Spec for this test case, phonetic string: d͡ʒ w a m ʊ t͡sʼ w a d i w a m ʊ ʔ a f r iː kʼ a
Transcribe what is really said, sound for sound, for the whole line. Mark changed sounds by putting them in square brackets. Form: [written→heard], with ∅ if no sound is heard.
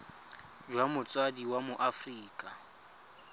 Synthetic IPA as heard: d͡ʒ w a m ʊ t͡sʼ w a d i w a m ʊ ʔ a f r iː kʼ a